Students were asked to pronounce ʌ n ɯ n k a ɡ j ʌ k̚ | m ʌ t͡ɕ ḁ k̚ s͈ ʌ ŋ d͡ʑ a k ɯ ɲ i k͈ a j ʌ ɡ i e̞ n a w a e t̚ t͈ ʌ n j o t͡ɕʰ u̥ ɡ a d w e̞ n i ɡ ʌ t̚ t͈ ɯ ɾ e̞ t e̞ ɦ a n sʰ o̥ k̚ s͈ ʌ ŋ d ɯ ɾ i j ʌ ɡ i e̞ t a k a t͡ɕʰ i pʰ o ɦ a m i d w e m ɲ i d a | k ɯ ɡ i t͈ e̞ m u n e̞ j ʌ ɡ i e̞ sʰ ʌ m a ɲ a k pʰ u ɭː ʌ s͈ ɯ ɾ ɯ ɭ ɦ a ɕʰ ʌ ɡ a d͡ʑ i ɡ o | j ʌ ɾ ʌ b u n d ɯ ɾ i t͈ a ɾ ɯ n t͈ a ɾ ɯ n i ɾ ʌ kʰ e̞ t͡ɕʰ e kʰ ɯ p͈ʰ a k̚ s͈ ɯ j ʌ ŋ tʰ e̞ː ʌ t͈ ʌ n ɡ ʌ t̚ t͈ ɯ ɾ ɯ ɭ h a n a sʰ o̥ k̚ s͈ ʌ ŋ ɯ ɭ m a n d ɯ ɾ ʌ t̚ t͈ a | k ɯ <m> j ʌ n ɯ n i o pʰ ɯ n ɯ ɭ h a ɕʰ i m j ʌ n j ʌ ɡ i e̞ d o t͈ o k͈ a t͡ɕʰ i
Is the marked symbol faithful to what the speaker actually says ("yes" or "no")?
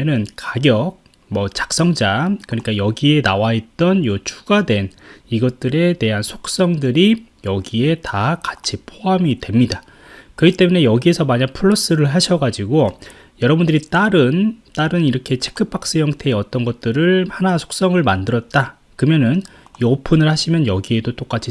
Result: yes